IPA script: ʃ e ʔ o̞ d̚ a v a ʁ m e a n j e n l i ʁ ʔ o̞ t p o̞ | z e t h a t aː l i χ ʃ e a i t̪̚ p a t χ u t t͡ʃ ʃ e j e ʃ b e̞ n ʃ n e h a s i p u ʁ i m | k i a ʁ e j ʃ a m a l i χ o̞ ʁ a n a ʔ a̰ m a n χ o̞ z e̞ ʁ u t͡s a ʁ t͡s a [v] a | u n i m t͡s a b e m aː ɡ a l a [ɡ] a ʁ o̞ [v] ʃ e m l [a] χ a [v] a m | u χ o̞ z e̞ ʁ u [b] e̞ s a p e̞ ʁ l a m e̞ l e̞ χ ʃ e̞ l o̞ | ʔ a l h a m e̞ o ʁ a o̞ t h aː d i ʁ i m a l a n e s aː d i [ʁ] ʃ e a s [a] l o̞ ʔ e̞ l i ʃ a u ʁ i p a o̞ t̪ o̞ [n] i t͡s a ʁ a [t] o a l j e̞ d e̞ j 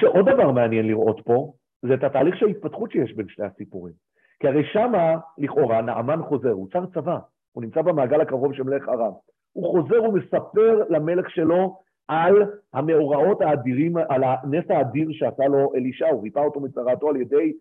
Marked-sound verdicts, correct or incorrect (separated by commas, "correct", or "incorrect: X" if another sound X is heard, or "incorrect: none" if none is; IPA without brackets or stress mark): correct, incorrect: k, correct, incorrect: e, incorrect: ʁ, incorrect: m, correct, correct, incorrect: m, correct